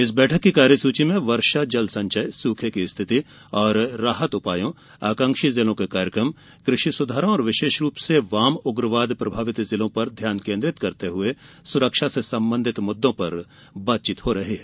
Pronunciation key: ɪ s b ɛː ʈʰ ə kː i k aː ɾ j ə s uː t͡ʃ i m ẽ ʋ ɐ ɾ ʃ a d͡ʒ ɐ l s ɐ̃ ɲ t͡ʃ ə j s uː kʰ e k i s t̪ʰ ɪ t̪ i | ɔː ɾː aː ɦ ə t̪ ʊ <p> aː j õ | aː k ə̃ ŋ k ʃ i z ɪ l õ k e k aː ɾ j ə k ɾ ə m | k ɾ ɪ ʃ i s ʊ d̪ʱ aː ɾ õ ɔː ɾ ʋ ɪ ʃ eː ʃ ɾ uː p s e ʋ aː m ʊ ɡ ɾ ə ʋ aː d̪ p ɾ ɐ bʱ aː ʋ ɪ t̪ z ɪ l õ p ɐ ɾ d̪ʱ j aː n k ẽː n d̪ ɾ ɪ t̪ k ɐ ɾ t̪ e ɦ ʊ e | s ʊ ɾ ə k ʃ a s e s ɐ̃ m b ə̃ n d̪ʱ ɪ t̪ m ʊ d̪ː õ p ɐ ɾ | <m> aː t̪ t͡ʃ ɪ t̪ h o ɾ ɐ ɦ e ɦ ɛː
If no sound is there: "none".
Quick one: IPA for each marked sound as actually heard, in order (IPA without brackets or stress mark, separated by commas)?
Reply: p, b